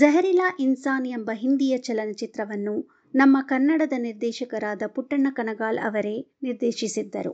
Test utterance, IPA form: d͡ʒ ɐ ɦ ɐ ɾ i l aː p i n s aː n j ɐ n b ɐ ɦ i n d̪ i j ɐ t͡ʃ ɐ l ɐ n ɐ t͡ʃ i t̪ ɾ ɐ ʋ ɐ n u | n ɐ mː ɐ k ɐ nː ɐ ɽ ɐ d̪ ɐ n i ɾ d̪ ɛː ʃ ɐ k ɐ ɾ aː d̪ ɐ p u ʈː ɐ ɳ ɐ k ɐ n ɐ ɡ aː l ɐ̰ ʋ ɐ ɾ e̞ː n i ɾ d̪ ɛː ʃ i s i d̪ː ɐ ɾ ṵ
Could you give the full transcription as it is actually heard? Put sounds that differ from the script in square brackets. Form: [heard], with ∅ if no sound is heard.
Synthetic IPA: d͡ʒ ɐ ɦ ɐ ɾ i l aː [ʔ] i n s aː n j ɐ [m] b ɐ ɦ i n d̪ i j ɐ t͡ʃ ɐ l ɐ n ɐ t͡ʃ i t̪ ɾ ɐ ʋ ɐ [nː] u | n ɐ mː ɐ k ɐ nː ɐ ɽ ɐ d̪ ɐ n i ɾ d̪ ɛː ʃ ɐ k ɐ ɾ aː d̪ ɐ p u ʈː ɐ ɳ ɐ k ɐ n ɐ ɡ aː l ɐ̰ ʋ ɐ ɾ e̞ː n i ɾ d̪ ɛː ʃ i s i d̪ː ɐ ɾ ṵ